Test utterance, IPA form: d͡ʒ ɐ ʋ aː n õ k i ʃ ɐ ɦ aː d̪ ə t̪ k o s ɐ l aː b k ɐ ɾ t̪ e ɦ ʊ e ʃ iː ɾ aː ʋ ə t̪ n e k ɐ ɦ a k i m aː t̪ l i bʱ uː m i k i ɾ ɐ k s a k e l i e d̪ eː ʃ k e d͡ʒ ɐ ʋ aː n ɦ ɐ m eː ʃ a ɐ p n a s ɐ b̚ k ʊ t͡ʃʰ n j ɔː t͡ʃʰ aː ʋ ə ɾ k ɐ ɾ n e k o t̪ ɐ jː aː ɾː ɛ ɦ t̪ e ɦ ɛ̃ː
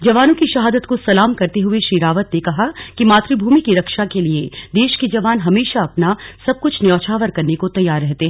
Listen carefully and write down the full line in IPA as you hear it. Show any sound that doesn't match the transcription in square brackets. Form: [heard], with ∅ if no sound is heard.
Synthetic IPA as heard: d͡ʒ ɐ ʋ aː n õ k i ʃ ɐ ɦ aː d̪ ə t̪ k o s ɐ l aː [m] k ɐ ɾ t̪ e ɦ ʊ e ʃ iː ɾ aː ʋ ə t̪ n e k ɐ ɦ a k i m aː t̪ [ɾ] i bʱ uː m i k i ɾ ɐ k [ʃ] a k e l i e d̪ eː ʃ k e d͡ʒ ɐ ʋ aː n ɦ ɐ m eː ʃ a ɐ p n a s ɐ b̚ k ʊ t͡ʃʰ n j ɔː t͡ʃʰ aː ʋ ə ɾ k ɐ ɾ n e k o t̪ ɐ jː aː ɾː ɛ ɦ t̪ e ɦ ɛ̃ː